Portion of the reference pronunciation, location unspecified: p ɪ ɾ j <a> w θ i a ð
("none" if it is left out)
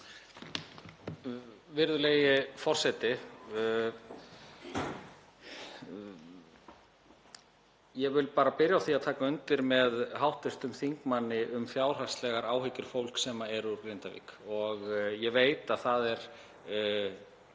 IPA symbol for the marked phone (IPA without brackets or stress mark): a